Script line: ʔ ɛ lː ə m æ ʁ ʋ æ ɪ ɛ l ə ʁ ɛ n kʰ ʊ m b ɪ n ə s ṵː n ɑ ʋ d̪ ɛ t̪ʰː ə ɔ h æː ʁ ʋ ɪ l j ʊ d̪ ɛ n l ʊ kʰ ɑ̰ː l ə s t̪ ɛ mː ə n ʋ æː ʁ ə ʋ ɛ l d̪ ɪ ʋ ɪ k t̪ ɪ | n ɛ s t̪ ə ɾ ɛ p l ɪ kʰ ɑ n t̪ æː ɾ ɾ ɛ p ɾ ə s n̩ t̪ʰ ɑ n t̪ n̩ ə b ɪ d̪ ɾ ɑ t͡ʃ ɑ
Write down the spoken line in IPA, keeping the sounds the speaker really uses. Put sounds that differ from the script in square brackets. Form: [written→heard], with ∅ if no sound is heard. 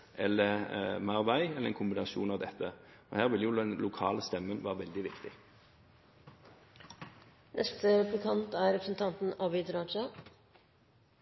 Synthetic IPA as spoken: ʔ ɛ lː ə m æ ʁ ʋ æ ɪ ɛ l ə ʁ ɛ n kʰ ʊ m b ɪ n [ə→ɑ] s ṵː n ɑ ʋ d̪ ɛ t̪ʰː ə ɔ h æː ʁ ʋ ɪ l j ʊ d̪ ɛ n l ʊ kʰ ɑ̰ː l ə s t̪ ɛ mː ə n ʋ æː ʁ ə ʋ ɛ l d̪ ɪ ʋ ɪ k t̪ ɪ | n ɛ s t̪ ə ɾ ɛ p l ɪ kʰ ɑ n t̪ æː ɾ ɾ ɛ p ɾ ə s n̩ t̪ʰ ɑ n t̪ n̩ [ə→ɑ] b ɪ d̪ ɾ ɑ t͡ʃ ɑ